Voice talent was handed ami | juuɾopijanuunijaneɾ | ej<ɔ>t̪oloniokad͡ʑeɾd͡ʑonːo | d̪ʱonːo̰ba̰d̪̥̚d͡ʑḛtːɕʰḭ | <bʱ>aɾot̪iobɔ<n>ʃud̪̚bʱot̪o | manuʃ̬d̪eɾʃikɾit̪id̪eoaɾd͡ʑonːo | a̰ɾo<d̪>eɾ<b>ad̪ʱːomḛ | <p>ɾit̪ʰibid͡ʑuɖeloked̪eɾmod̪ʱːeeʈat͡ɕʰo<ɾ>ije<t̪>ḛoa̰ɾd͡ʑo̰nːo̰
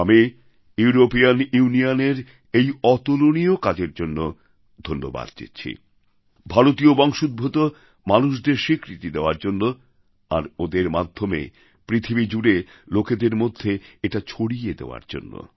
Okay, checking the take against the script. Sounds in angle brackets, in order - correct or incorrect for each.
correct, correct, incorrect, correct, incorrect, correct, incorrect, incorrect

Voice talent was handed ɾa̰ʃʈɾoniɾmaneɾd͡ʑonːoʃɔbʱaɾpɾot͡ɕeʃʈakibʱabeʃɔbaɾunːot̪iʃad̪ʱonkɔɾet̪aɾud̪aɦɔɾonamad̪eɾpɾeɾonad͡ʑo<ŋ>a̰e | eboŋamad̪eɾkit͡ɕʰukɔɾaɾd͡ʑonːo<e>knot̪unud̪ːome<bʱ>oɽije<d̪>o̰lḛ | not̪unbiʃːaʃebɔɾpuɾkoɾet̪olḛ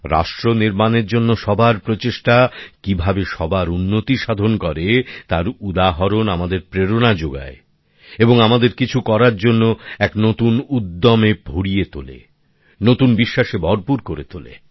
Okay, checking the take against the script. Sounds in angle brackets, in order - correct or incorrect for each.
incorrect, incorrect, correct, incorrect

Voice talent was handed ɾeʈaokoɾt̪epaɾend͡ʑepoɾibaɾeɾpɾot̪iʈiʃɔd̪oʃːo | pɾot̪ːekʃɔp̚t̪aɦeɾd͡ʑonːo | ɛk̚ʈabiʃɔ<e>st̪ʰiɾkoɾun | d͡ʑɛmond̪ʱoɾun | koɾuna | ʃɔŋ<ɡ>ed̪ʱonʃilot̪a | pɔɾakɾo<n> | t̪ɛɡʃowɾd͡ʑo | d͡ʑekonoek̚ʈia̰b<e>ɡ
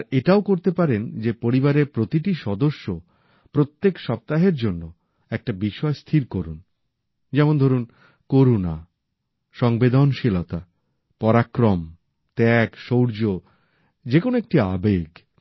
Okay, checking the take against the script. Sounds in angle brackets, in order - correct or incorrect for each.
correct, incorrect, incorrect, correct

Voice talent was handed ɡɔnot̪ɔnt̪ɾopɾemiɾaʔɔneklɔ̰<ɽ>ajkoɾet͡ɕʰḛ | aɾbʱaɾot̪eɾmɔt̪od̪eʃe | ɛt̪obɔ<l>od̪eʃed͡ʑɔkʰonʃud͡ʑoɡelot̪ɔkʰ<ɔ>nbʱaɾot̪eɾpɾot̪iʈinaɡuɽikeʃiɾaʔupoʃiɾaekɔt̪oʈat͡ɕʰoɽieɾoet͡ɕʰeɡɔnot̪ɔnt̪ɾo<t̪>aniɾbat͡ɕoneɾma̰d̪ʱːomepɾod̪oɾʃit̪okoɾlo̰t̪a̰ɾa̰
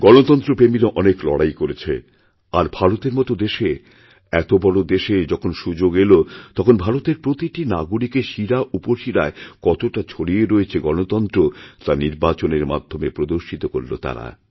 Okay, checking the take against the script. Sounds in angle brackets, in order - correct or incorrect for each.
correct, incorrect, incorrect, correct

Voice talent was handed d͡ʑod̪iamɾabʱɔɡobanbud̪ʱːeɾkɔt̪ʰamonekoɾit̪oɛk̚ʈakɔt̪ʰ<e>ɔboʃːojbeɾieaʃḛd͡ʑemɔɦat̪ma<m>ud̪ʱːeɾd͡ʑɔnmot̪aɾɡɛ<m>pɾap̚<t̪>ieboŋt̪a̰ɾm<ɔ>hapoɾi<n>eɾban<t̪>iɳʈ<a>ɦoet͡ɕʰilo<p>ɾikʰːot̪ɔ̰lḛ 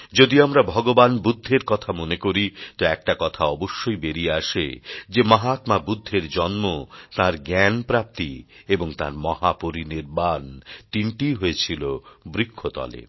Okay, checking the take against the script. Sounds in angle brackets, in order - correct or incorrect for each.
incorrect, incorrect, incorrect, correct, correct, correct, correct, incorrect, incorrect

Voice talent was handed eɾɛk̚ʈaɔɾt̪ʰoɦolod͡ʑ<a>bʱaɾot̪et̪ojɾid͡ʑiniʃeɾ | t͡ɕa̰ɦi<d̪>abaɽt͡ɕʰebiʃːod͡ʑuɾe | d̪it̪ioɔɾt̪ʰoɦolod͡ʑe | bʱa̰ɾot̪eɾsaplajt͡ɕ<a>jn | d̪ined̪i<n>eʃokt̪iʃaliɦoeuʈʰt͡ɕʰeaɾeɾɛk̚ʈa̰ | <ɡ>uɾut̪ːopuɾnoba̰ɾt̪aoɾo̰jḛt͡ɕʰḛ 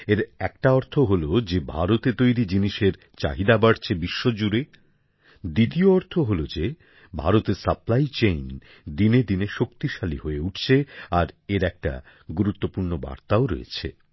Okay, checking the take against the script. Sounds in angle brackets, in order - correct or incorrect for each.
incorrect, correct, incorrect, correct, correct

